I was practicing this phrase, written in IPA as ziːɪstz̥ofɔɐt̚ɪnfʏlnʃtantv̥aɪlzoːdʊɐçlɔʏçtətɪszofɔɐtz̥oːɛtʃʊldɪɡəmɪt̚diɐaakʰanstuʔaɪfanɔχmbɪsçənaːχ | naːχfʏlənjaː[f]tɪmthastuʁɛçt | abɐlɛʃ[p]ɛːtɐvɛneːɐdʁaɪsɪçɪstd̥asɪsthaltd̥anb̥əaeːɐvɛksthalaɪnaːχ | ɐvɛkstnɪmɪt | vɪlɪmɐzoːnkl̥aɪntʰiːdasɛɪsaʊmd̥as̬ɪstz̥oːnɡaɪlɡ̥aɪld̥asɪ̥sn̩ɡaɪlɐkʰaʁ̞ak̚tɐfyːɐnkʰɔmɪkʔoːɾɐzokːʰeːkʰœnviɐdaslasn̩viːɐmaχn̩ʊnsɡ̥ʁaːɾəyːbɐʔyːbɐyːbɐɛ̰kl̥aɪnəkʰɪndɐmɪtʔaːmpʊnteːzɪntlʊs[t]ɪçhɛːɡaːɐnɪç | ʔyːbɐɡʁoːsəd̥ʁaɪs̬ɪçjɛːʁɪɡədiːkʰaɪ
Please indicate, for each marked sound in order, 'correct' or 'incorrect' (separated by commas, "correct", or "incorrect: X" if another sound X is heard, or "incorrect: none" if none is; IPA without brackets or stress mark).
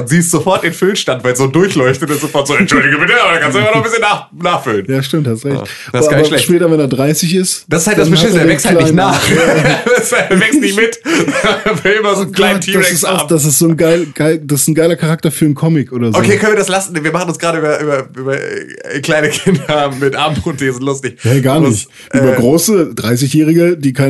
incorrect: ʃ, correct, correct